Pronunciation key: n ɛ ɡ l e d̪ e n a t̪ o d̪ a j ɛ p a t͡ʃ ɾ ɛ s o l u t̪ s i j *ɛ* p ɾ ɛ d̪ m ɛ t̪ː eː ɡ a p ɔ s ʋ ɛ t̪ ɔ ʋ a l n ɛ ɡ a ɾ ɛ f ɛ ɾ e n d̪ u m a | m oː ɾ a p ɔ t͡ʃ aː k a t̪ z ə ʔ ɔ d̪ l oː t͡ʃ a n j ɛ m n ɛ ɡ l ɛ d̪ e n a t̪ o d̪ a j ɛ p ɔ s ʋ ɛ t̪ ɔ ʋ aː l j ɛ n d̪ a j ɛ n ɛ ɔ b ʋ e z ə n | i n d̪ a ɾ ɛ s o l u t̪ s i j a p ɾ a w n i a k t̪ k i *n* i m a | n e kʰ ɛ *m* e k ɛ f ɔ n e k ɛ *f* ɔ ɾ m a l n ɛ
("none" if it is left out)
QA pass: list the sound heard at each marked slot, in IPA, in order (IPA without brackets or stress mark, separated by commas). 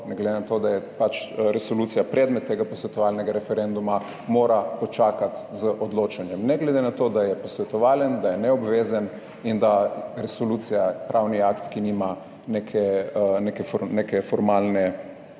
a, n, n, f